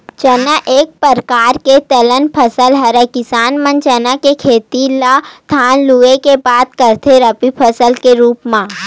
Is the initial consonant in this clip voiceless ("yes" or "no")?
yes